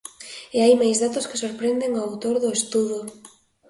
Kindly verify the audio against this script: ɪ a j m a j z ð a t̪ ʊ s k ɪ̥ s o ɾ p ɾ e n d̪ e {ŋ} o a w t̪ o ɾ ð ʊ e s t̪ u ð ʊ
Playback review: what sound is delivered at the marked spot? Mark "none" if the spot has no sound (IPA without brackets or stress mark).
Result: ŋ